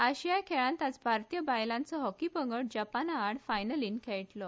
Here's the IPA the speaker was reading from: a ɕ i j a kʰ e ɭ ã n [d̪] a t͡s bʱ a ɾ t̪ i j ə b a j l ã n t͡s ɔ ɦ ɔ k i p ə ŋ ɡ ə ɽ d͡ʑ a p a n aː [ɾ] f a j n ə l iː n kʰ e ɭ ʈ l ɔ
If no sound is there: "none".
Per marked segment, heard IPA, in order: t̪, ɽ

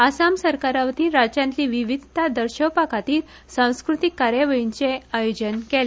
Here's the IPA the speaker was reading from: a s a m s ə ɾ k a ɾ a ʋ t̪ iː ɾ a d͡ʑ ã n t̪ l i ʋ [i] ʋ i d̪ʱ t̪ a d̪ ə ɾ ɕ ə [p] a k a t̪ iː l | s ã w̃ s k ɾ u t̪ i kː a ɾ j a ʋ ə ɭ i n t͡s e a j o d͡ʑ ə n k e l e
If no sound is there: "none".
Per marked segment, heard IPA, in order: i, p

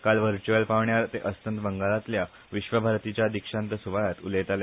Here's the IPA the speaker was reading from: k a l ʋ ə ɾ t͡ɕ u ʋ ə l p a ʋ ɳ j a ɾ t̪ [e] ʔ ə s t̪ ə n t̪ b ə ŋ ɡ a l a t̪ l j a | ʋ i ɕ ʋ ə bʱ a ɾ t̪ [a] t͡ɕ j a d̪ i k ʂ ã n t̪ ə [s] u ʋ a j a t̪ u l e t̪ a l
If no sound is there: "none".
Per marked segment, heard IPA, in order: e, i, s

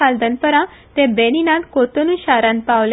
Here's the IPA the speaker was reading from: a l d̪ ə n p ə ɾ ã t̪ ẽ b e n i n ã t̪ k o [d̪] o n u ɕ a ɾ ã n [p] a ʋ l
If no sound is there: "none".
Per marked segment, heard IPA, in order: t̪, p

